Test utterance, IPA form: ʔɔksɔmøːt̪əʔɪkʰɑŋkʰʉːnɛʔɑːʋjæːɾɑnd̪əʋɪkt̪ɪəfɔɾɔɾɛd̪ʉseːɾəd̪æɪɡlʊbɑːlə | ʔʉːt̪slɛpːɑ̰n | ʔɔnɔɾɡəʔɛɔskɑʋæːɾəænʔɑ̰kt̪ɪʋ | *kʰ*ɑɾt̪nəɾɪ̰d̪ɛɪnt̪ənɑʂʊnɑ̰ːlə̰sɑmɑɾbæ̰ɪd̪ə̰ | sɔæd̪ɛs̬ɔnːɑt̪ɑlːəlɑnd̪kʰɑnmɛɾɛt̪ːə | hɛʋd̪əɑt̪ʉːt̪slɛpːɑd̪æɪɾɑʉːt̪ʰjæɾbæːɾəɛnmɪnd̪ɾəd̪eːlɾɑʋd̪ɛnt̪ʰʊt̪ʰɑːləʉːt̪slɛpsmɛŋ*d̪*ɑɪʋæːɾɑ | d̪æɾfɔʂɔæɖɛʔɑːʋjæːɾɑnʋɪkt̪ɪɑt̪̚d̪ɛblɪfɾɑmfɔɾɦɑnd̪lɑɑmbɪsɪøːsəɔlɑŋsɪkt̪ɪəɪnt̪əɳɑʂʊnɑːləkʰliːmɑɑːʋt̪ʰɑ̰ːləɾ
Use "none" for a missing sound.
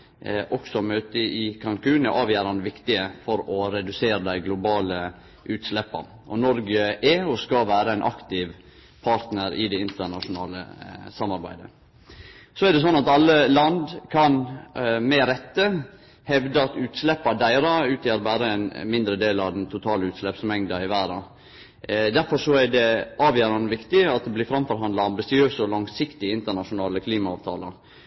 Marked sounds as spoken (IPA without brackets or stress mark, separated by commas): pʰ, d̪